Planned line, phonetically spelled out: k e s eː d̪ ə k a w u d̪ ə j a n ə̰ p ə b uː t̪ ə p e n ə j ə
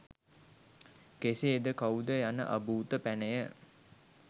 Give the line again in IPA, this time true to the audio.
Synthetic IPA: k e s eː d̪ ə k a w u d̪ ə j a n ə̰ ʔ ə b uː t̪ ə p æ n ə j ə

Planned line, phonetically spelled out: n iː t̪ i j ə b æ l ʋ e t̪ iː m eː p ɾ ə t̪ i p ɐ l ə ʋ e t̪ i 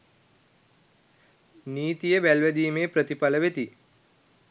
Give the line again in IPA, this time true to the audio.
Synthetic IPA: n iː t̪ i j ə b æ l ʋ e d̪ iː m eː p ɾ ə t̪ i p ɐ l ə ʋ e t̪ i

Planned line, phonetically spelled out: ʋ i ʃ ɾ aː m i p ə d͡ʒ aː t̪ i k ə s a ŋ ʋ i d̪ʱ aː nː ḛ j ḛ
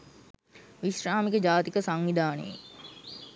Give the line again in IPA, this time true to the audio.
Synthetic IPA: ʋ i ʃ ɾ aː m i k ə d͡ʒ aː t̪ i k ə s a ŋ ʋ i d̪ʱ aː n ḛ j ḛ

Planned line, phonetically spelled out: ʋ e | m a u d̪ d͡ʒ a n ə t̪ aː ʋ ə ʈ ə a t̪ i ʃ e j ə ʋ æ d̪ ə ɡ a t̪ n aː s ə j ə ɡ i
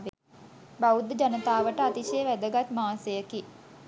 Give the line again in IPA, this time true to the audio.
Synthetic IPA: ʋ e | b a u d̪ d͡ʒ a n ə t̪ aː ʋ ə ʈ ə a t̪ i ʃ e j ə ʋ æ d̪ ə ɡ a t̪ m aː s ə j ə k i

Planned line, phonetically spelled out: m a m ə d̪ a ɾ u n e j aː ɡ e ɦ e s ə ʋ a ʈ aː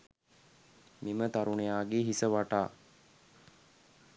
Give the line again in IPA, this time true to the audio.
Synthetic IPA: m i m ə t̪ a ɾ u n e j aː ɡ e ɦ i s ə ʋ a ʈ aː

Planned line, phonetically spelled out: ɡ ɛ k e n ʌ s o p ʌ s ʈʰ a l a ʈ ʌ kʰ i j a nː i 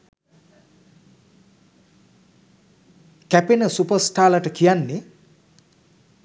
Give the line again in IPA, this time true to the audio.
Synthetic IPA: k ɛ p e n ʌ s u p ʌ s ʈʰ a l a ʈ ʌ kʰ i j a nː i

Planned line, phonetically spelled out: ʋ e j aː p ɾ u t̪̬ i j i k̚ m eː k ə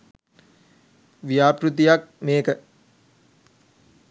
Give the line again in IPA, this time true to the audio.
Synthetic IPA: ʋ i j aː p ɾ u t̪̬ i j a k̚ m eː k ə

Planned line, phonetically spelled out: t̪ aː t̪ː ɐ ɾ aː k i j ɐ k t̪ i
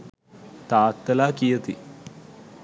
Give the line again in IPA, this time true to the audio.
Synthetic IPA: t̪ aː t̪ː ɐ l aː k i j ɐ t̪ i

